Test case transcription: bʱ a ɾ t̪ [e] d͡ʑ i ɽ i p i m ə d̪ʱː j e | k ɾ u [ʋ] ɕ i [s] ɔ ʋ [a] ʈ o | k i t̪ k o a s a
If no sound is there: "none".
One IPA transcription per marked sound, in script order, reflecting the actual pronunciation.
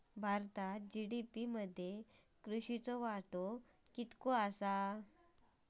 a, none, t͡s, a

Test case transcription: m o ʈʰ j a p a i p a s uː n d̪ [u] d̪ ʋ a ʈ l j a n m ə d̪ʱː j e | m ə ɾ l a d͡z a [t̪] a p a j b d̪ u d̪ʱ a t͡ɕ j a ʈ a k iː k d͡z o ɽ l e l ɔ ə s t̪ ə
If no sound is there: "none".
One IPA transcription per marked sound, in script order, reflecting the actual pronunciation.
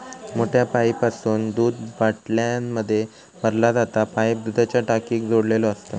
uː, t̪

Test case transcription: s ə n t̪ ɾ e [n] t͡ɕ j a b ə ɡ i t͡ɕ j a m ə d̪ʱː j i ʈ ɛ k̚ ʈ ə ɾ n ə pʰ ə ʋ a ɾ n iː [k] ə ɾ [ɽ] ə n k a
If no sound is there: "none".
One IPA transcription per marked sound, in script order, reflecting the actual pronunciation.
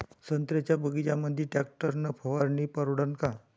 none, p, ɽ

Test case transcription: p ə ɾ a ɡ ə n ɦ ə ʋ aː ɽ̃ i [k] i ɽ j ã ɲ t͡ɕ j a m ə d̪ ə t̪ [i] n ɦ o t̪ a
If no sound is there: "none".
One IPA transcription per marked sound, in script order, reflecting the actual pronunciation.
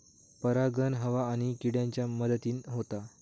k, iː

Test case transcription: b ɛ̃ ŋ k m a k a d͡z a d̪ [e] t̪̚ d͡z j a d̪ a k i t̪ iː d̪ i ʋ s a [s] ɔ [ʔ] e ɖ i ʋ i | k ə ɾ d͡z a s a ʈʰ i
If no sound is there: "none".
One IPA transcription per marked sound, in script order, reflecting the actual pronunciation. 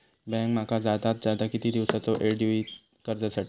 a, t͡s, ʔ

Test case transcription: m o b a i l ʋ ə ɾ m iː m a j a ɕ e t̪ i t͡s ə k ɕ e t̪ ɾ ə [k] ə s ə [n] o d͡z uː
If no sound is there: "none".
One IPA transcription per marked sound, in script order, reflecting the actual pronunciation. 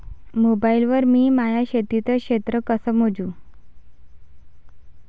k, m

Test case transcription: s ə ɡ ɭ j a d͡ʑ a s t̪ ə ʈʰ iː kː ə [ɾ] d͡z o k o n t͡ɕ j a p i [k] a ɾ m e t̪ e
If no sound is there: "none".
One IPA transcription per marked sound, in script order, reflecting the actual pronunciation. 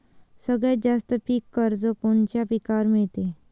ɾ, k

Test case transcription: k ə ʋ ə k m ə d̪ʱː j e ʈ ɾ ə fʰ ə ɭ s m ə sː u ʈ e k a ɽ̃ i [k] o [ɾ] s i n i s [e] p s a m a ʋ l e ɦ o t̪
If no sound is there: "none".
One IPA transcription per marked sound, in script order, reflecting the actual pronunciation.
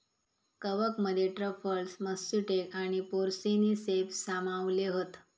p, ɾ, e

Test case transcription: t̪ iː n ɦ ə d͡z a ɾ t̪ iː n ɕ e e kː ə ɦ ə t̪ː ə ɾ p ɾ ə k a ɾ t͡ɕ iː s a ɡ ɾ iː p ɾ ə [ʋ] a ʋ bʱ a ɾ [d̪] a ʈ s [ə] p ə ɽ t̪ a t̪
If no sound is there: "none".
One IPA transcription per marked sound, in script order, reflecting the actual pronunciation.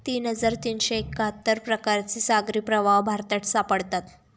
ʋ, t̪, a

